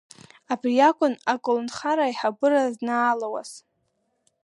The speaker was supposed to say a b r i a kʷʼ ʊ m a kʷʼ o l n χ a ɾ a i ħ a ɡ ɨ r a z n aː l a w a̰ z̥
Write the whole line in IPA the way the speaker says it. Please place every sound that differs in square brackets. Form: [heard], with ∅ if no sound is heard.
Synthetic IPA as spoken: a b r i a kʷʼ ʊ [n] a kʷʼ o l n χ a ɾ a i ħ a [b] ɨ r a z n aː l a w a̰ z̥